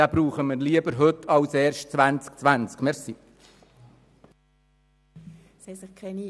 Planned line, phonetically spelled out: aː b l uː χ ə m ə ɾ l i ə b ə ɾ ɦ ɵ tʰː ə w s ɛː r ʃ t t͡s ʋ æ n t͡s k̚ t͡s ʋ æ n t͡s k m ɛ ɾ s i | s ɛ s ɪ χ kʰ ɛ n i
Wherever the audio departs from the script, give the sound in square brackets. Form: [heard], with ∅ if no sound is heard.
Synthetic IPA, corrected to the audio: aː b [ɾ] uː χ ə m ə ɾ l i ə b ə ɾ ɦ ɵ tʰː [ɑ] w s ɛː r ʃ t t͡s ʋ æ n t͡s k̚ t͡s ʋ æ n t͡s k m ɛ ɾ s i | s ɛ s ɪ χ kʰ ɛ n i

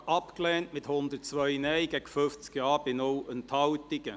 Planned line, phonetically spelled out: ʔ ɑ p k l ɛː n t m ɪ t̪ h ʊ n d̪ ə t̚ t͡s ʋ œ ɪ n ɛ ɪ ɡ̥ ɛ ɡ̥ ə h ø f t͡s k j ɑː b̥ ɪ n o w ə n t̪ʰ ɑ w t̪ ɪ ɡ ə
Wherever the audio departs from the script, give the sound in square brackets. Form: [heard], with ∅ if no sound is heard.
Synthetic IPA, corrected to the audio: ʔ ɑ p k l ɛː n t m ɪ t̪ h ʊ n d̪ ə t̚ t͡s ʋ œ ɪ n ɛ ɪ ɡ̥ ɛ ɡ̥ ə [f] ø f t͡s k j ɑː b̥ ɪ n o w ə n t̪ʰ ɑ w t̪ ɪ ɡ ə

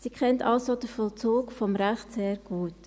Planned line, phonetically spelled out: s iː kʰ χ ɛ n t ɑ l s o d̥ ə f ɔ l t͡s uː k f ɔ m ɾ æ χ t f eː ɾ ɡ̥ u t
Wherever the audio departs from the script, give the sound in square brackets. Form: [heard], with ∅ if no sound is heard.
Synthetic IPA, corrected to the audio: s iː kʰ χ ɛ n t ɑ l s o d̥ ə f ɔ l t͡s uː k f ɔ m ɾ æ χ t [s] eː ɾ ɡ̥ [uː] t

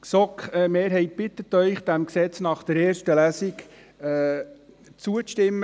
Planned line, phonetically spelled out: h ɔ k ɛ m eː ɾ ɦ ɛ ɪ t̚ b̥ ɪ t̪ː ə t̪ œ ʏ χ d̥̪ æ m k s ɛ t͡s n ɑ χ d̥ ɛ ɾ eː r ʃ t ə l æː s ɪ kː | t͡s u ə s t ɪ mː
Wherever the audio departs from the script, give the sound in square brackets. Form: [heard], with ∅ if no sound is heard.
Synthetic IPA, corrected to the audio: [s] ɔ k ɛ m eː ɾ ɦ ɛ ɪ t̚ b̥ ɪ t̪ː ə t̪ œ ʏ χ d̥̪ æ m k s ɛ t͡s n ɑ χ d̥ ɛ ɾ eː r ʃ t ə l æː s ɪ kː | t͡s u ə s t ɪ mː

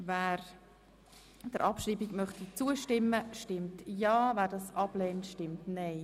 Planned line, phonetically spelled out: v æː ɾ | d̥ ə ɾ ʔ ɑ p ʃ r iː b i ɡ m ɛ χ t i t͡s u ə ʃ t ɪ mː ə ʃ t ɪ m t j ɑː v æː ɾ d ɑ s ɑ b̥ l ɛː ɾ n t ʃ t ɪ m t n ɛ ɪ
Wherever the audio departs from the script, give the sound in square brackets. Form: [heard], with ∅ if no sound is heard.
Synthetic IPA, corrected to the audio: v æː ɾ | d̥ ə ɾ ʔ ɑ p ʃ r iː b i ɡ m [œ] χ t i t͡s u ə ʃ t ɪ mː ə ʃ t ɪ m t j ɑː v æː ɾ d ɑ s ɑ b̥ l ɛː [∅] n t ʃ t ɪ m t n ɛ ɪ

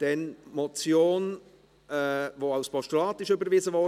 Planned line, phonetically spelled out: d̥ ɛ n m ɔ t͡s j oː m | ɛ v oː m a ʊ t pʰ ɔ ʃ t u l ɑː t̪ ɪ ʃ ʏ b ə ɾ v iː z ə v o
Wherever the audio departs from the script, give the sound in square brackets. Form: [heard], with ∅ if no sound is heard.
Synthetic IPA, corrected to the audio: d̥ ɛ n m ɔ t͡s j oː [n] | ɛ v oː [∅] a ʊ [s] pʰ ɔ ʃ t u l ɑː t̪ ɪ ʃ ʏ b ə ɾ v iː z ə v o

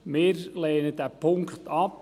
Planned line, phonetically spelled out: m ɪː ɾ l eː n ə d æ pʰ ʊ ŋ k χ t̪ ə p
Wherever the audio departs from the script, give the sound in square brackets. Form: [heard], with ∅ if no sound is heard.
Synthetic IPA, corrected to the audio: m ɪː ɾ l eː n ə d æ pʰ ʊ ŋ k χ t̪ [ɑ] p

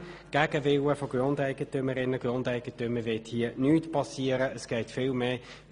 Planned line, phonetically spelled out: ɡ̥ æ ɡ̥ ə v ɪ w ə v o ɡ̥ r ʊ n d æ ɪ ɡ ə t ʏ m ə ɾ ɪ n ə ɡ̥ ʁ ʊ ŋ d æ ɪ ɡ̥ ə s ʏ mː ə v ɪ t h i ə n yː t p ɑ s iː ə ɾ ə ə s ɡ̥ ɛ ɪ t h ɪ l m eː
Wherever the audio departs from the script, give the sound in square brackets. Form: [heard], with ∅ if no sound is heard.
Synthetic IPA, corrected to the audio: ɡ̥ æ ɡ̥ ə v ɪ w ə [f] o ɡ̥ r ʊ n d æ ɪ ɡ ə t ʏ m ə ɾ ɪ n ə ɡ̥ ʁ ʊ [n] d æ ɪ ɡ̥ ə [t] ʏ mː ə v ɪ t h i ə n yː t p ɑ s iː ə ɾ ə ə s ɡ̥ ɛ ɪ t [f] ɪ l m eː

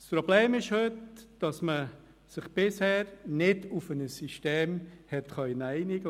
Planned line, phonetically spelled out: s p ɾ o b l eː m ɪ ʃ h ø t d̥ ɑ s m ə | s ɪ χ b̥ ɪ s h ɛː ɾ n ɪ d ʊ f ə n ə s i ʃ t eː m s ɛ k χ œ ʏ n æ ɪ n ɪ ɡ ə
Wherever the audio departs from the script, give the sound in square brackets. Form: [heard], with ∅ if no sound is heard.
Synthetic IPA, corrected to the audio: s p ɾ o b l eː m ɪ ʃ h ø t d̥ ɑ s m ə | s ɪ χ b̥ ɪ s h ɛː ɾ n ɪ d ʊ f ə n ə s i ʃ t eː m [h] ɛ [t] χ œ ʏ n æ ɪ n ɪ ɡ ə

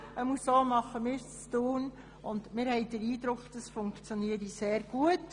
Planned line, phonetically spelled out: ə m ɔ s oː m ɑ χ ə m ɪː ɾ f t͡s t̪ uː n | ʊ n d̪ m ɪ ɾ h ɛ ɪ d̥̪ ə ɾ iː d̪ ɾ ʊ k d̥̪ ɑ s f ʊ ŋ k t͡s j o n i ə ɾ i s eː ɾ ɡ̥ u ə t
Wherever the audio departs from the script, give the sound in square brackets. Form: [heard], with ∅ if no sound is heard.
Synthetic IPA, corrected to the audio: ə m [u] s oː m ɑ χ ə m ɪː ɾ [s] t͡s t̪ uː n | ʊ n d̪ m ɪ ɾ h ɛ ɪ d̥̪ ə ɾ iː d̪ ɾ ʊ k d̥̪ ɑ s f ʊ ŋ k t͡s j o n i ə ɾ i s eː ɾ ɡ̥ u ə t

